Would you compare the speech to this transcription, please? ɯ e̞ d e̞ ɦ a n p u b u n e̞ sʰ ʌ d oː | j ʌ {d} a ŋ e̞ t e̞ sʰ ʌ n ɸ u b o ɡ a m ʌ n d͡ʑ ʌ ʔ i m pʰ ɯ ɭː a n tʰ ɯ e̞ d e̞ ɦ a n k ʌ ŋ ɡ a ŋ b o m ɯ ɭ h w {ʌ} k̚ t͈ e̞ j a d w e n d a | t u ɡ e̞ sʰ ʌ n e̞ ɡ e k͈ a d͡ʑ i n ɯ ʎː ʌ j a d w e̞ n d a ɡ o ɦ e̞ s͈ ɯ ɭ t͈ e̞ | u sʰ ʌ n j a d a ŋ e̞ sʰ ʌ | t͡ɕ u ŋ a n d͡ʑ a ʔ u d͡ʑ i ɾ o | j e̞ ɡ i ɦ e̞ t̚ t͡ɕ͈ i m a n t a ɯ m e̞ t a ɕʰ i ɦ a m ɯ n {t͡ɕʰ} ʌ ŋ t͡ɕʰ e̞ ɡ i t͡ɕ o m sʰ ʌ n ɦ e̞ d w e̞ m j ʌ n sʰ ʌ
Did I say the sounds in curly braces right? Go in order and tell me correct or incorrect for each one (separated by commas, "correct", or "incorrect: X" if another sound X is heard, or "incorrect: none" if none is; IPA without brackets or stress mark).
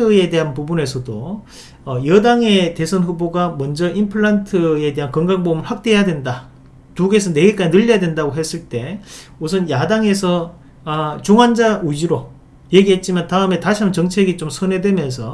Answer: correct, incorrect: a, incorrect: t͡ɕ